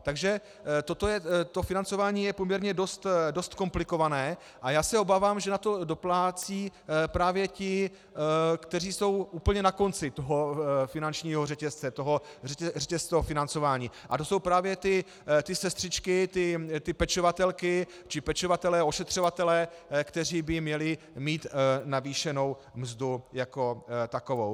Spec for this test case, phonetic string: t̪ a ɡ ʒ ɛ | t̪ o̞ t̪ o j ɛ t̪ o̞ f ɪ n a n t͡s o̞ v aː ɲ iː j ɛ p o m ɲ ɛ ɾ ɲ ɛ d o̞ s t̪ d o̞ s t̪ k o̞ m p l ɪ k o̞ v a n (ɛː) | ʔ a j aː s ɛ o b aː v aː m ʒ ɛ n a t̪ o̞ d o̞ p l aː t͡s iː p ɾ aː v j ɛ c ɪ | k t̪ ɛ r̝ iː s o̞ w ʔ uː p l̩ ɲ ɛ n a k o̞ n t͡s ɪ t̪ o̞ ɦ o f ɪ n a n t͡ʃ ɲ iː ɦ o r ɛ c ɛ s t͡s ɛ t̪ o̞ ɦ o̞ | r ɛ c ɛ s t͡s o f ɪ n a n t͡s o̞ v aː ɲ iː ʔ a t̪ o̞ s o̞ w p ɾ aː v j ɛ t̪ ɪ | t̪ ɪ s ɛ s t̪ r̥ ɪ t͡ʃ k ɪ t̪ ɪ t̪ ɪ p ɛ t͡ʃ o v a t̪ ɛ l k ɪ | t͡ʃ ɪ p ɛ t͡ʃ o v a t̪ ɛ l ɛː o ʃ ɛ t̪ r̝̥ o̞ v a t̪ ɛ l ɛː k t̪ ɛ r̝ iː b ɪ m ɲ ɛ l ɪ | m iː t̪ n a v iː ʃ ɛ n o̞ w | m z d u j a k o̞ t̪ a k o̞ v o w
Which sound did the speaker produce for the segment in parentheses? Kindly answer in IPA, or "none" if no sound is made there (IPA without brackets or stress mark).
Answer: ɛː